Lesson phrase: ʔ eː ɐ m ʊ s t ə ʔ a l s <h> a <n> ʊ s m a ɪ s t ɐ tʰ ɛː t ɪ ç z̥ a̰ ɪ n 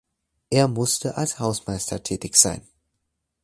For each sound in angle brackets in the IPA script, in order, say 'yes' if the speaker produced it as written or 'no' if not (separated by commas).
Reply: yes, no